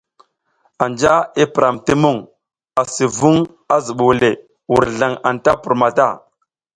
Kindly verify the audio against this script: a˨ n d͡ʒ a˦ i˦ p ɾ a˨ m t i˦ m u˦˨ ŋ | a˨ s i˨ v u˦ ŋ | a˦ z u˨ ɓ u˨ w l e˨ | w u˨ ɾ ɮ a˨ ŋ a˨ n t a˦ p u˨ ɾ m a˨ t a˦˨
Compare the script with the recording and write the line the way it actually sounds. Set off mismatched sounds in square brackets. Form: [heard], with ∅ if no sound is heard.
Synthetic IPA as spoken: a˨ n d͡ʒ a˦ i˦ p ɾ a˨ m t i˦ m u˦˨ ŋ | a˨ s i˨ v u˦ ŋ | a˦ z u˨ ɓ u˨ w l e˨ | w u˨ ɾ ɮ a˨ ŋ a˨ n t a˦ p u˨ ɾ m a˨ t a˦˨